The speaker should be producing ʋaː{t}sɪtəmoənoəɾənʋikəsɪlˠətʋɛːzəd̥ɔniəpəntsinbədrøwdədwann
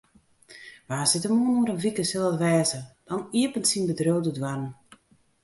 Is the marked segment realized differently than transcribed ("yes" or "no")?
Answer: yes